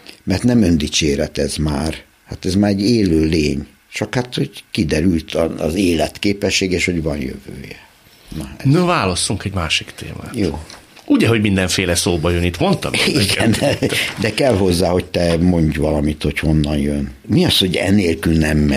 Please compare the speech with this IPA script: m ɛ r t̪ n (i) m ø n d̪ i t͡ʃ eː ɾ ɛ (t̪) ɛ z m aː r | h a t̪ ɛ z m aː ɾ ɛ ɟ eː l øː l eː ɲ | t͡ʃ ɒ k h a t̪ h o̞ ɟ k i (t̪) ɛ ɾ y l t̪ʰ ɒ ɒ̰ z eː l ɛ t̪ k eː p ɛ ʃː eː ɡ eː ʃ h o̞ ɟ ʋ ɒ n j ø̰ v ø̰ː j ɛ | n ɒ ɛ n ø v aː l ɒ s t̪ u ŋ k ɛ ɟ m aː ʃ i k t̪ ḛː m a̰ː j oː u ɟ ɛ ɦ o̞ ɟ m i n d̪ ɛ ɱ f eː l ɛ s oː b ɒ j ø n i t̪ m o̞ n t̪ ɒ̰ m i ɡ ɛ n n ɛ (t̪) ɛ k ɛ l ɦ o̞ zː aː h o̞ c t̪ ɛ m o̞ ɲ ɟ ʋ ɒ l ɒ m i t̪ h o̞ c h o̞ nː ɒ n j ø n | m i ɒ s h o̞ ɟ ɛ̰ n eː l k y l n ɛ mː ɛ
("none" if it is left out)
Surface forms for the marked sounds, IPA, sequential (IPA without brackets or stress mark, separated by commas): ɛ, t̪, d̪, d̪